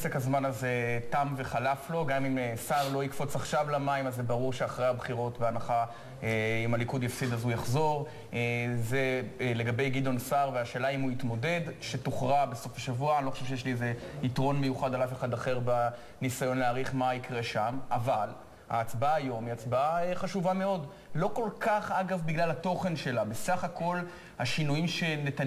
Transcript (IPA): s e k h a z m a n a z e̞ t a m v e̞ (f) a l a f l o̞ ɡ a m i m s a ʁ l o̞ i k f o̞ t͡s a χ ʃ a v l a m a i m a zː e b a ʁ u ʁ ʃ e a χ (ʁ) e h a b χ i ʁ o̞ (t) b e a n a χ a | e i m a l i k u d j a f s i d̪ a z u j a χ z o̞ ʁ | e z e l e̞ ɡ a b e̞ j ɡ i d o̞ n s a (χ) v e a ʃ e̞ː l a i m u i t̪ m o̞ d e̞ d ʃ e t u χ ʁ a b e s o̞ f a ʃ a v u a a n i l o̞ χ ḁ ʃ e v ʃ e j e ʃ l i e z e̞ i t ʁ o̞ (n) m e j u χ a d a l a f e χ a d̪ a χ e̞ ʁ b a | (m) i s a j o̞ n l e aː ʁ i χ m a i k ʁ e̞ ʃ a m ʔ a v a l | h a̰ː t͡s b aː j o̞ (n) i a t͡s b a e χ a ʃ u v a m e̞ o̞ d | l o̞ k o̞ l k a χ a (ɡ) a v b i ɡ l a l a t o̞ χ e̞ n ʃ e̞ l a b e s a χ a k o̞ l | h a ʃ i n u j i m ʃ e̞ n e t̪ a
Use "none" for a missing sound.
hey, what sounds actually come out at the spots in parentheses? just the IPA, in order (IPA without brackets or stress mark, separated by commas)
χ, ʁ, t, ʁ, n, n, m, ɡ